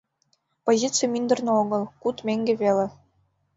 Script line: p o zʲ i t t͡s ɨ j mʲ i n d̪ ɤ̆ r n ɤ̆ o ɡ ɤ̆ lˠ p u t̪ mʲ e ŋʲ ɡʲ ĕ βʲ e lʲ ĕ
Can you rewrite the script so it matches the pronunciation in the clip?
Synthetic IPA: p o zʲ i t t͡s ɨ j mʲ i n d̪ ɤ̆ r n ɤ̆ o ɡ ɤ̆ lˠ k u t̪ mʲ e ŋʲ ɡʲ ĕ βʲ e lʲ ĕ